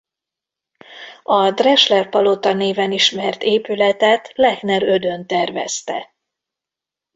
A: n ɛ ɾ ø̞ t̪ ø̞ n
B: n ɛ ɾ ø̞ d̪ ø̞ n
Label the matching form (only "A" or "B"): B